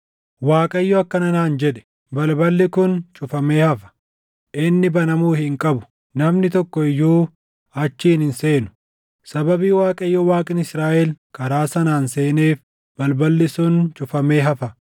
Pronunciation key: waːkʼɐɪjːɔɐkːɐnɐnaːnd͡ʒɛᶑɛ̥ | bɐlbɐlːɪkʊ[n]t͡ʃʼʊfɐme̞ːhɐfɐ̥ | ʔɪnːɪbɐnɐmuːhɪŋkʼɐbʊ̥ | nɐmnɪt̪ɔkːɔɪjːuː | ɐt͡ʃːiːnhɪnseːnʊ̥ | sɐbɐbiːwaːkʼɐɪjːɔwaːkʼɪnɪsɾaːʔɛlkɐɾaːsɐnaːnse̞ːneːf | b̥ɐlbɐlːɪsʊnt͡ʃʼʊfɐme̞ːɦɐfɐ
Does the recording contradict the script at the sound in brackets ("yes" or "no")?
no